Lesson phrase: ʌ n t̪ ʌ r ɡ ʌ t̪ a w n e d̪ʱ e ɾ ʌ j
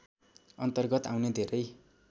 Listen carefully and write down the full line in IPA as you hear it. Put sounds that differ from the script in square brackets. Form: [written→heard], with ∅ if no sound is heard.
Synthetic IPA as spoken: ʌ n t̪ ʌ r ɡ ʌ t̪ a w n e d̪ʱ e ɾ ʌ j